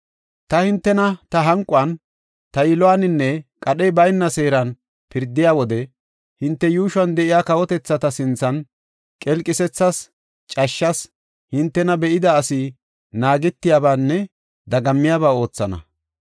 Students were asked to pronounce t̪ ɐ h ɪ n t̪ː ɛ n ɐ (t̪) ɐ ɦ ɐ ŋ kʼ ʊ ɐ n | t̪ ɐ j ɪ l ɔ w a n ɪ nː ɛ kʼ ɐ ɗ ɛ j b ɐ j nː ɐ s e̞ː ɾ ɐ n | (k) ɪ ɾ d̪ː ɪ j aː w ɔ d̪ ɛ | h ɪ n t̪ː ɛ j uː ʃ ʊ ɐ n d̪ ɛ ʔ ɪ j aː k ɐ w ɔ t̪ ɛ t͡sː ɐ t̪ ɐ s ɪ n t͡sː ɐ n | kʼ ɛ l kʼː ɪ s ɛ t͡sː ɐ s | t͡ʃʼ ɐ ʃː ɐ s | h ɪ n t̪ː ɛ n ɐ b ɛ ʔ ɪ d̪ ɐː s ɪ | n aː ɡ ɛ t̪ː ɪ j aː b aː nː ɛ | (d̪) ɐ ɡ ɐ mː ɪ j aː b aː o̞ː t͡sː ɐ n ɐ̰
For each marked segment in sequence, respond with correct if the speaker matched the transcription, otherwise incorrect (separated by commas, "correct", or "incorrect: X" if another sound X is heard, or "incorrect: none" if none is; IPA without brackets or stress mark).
correct, incorrect: p, correct